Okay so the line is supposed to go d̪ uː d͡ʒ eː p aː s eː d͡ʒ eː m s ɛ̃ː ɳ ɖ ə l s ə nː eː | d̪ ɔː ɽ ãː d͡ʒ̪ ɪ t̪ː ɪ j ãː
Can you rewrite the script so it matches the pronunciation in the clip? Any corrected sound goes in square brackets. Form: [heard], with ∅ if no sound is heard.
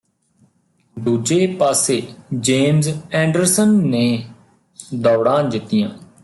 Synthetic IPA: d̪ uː d͡ʒ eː p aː s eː d͡ʒ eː m [z] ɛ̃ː ɳ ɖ ə [ɾ] s ə nː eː | d̪ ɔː ɽ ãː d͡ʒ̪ ɪ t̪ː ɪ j ãː